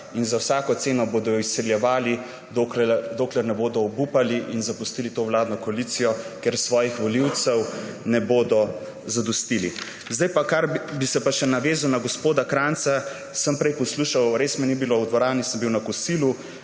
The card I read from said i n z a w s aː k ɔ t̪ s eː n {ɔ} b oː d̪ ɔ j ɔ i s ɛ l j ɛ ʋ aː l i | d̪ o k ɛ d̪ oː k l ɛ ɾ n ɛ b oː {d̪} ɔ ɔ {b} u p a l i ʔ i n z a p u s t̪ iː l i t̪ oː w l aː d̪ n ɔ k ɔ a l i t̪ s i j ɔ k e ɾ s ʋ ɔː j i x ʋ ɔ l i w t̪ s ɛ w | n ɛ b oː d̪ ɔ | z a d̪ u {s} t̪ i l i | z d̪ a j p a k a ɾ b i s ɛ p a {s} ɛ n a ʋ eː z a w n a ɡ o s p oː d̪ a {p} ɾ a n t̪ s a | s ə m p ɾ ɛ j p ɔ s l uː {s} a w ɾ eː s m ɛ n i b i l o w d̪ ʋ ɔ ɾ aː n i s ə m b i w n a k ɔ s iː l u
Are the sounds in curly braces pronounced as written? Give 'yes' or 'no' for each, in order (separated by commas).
yes, yes, yes, yes, no, no, no